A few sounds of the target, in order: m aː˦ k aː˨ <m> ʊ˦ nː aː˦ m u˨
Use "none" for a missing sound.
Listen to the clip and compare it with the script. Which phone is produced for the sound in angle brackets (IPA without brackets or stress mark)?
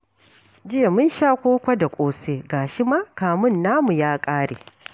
m